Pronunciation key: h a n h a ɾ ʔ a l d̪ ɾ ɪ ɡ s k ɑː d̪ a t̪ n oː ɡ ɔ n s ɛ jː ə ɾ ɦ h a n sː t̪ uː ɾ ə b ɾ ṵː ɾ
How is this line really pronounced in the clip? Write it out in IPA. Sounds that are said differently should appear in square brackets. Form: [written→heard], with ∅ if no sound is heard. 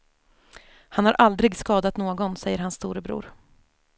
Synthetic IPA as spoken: h a n h a ɾ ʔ a l d̪ ɾ ɪ ɡ s k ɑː d̪ a t̪ n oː ɡ ɔ n s ɛ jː ə ɾ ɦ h a n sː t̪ uː ɾ ə b ɾ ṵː ɾ